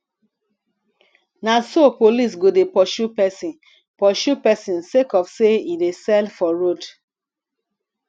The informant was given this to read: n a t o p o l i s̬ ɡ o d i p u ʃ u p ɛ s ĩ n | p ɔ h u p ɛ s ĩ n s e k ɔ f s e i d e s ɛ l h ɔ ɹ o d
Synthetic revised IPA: n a s o p o l i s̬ ɡ o d e p ɔ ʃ u p ɛ s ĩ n | p ɔ ʃ u p ɛ s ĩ n s e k ɔ f s e i d e s ɛ l f ɔ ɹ o d